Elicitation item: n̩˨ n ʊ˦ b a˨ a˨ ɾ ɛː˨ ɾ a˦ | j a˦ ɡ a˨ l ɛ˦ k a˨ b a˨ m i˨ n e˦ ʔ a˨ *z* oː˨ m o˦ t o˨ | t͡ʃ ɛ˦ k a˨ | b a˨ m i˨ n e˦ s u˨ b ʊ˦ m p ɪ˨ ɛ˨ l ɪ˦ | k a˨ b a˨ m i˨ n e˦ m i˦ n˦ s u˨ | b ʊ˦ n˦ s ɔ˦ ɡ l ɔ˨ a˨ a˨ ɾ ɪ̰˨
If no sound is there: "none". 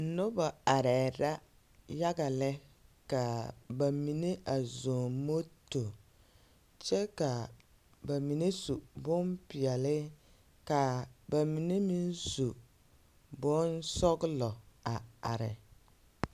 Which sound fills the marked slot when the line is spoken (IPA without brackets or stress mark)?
z